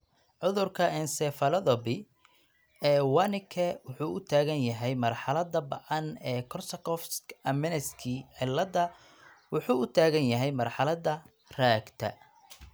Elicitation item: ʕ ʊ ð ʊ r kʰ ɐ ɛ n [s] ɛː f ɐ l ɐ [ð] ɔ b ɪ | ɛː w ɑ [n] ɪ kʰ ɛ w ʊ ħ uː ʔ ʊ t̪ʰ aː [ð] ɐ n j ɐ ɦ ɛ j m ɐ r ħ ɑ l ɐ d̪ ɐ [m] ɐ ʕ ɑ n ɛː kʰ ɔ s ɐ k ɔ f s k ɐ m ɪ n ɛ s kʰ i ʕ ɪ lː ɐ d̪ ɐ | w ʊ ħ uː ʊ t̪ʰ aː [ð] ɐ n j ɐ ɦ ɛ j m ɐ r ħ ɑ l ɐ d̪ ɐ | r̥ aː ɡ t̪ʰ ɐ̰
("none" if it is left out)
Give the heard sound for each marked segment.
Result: s, ð, n, ɣ, b, ɣ

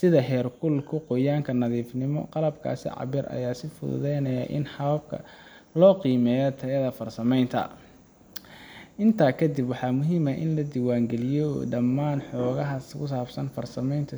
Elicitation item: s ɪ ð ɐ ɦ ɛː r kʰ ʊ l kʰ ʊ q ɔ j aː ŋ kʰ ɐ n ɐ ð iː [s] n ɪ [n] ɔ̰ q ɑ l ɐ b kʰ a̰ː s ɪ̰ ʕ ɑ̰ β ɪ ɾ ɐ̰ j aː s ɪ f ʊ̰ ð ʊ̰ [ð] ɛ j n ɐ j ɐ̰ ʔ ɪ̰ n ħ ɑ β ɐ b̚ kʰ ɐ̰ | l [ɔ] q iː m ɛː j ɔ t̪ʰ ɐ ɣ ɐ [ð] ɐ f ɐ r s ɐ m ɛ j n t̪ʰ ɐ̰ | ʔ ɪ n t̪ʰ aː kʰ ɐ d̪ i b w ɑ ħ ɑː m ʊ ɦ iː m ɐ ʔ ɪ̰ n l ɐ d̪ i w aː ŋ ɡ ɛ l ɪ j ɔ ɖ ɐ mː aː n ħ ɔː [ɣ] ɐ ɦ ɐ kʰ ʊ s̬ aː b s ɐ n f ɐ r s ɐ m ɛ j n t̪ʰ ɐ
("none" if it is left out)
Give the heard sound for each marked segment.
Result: f, m, ð, ɔː, ð, ɣ

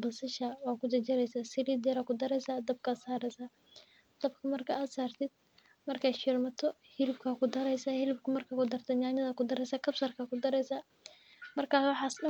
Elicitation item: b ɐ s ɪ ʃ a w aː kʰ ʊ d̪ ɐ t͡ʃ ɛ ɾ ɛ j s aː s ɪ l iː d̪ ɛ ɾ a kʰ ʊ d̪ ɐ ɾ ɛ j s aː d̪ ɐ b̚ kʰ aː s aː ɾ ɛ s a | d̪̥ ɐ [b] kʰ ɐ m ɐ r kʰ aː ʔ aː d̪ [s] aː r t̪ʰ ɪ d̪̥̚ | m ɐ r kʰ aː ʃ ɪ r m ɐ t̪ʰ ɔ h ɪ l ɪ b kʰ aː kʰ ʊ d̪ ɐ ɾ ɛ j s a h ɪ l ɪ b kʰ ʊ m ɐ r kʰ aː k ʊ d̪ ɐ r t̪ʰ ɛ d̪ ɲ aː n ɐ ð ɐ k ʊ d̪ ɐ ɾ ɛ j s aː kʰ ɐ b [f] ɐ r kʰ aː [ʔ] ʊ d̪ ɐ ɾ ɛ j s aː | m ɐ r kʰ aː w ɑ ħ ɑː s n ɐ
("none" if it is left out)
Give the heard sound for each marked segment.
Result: b, s, s, k

